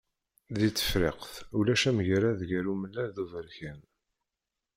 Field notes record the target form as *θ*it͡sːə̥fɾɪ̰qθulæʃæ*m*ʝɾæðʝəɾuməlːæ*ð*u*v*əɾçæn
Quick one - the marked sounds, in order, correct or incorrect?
incorrect, correct, correct, correct

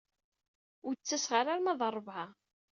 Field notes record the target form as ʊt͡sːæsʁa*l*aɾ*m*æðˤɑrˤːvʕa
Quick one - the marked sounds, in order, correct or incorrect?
incorrect, correct

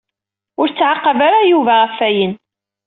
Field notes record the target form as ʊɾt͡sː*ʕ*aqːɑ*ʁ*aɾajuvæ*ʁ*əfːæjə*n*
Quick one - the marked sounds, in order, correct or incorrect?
correct, incorrect, correct, correct

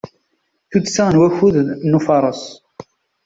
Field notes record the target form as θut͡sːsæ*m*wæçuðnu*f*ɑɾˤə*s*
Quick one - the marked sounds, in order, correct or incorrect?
incorrect, correct, correct

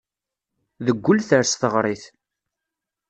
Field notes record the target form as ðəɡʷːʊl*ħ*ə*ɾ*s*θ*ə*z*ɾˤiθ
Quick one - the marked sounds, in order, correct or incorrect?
incorrect, correct, correct, incorrect

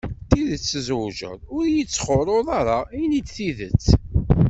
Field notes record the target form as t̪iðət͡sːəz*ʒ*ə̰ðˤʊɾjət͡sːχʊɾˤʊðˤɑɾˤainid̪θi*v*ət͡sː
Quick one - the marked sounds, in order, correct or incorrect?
correct, incorrect

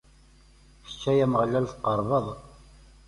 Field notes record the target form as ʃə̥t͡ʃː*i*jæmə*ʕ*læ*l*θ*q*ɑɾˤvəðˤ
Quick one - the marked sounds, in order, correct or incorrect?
incorrect, incorrect, correct, correct

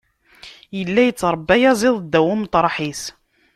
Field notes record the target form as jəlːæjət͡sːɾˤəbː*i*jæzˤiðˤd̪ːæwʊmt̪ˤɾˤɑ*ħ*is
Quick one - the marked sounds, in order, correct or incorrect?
incorrect, correct

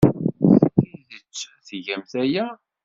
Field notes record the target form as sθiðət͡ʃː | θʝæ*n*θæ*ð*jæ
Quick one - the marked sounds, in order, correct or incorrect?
incorrect, incorrect

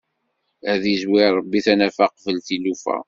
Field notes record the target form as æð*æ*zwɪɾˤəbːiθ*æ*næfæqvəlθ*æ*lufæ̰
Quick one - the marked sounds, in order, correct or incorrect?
incorrect, correct, incorrect

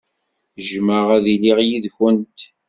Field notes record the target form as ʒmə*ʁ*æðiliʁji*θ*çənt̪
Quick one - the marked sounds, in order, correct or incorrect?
correct, incorrect

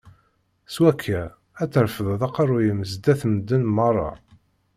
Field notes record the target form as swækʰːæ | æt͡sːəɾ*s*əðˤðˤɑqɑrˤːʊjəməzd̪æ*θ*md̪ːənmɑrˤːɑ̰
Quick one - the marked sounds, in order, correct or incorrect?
incorrect, correct

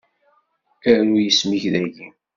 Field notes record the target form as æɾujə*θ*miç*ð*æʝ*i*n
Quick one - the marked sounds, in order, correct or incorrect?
incorrect, correct, correct

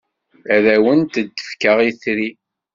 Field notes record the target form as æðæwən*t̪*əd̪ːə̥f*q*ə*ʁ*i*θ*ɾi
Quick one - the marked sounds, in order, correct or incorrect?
correct, incorrect, correct, correct

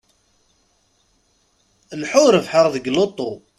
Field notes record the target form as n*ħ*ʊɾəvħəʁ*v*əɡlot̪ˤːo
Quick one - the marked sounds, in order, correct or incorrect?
correct, incorrect

